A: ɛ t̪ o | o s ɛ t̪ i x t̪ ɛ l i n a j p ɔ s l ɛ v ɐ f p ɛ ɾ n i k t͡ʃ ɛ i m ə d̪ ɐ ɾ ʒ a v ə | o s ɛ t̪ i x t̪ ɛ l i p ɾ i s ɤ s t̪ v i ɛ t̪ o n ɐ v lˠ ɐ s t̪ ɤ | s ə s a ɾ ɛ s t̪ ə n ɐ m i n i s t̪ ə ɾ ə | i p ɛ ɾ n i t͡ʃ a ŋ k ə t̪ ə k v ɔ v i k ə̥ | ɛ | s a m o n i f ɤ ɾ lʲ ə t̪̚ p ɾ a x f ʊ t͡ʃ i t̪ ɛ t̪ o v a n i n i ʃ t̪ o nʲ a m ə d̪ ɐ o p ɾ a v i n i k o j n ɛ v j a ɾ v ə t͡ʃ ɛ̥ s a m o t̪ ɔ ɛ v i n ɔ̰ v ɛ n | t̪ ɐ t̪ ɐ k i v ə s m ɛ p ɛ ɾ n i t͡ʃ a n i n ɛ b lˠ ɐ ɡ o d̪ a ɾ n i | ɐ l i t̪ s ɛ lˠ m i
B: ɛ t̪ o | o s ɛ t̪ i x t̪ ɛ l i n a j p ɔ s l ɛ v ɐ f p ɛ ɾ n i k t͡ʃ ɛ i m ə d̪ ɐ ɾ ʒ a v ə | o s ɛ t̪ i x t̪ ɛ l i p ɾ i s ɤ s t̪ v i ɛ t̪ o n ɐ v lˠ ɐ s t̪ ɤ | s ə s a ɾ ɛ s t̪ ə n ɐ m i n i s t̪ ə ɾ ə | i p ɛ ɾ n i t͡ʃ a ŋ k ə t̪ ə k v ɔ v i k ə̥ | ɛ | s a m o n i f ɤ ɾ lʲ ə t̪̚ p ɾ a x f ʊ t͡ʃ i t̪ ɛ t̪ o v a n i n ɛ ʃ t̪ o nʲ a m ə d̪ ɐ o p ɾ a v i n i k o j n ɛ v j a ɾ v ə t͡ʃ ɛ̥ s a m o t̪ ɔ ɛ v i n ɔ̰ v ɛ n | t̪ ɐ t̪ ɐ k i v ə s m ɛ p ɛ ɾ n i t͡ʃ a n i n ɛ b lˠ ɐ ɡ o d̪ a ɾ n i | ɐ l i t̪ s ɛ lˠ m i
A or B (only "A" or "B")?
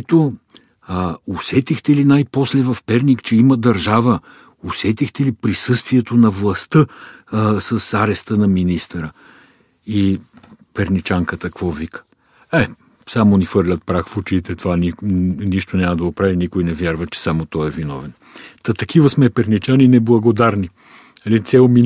A